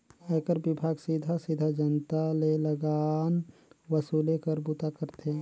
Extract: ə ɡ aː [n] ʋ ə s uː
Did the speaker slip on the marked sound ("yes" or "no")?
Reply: no